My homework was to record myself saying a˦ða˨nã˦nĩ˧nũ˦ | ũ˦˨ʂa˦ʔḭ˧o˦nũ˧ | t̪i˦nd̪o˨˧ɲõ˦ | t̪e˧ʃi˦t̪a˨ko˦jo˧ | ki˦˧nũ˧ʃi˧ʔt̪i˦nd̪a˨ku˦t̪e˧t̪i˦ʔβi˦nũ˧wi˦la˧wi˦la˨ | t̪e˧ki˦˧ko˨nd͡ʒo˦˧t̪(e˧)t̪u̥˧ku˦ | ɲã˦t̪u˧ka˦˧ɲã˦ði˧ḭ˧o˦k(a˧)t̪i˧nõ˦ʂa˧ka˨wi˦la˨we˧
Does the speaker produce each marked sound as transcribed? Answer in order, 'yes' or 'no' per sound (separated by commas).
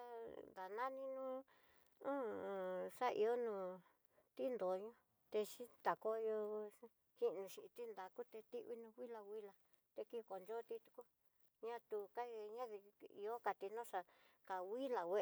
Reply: no, yes